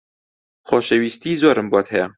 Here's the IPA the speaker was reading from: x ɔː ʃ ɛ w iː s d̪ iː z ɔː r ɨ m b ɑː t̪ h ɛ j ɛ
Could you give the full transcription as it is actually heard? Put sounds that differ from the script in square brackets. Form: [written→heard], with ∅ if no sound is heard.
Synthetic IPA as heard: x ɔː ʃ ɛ w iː s [d̪→t̪] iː z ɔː [r→ɾ] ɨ m b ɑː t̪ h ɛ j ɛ